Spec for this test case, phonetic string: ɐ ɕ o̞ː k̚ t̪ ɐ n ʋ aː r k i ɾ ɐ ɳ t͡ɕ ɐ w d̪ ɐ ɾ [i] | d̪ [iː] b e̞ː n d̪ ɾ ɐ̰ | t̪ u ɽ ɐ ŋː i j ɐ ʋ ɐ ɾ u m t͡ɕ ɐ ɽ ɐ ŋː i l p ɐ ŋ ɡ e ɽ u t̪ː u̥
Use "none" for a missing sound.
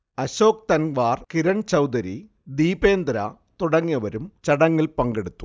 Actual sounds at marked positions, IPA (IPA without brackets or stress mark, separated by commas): i, iː